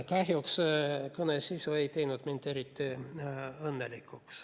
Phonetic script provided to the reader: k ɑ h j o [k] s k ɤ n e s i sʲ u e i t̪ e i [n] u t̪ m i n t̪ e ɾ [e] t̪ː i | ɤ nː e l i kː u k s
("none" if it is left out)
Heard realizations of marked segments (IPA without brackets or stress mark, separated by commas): k, n, i